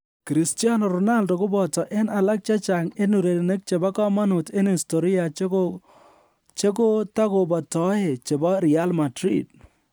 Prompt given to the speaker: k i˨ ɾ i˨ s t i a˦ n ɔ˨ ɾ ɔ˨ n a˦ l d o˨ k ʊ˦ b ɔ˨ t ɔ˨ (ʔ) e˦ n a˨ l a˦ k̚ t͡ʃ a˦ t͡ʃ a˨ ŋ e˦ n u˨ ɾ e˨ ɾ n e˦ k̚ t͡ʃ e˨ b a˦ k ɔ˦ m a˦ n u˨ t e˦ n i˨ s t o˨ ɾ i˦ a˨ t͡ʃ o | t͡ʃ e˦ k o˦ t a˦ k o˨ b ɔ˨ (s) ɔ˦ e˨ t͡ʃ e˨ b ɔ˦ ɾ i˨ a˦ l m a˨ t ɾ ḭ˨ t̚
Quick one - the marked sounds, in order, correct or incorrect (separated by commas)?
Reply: correct, incorrect